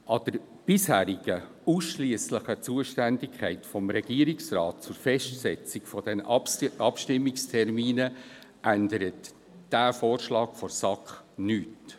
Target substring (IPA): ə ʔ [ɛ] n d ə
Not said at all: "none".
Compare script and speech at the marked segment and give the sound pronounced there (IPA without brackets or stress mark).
æ